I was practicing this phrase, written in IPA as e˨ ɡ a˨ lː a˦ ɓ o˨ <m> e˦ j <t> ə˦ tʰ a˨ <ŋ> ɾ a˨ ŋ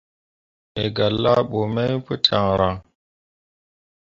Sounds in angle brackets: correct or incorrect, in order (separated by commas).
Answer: correct, incorrect, correct